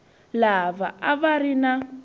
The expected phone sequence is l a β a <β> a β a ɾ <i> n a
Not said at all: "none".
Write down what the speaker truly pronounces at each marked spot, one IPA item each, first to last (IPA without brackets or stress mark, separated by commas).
none, i